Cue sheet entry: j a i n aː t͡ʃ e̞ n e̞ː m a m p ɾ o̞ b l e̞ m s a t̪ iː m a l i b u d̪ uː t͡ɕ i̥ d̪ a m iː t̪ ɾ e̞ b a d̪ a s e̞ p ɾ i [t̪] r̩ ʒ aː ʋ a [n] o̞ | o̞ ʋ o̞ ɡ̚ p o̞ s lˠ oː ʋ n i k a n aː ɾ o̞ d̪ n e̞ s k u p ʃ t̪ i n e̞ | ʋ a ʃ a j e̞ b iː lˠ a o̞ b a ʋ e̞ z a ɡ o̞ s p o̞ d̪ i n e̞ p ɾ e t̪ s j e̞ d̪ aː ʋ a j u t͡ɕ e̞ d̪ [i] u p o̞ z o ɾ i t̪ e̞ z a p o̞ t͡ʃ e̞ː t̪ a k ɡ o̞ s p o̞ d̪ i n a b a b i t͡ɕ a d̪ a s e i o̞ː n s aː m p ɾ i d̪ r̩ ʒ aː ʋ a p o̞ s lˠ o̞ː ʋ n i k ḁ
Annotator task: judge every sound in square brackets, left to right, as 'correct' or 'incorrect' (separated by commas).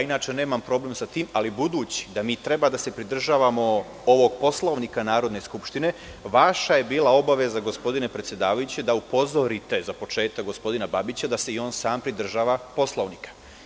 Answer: incorrect, incorrect, incorrect